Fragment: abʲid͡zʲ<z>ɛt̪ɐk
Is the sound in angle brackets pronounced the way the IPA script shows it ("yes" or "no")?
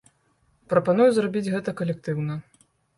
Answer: no